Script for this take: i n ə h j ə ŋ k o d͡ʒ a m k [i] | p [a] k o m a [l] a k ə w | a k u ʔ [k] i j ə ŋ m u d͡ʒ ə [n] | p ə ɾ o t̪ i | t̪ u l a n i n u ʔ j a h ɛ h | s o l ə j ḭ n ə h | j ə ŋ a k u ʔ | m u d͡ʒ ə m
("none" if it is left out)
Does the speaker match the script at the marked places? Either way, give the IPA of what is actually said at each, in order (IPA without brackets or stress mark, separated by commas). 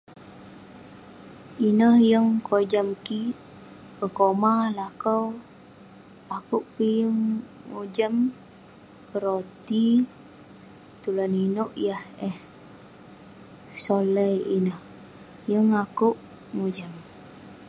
i, ə, l, p, m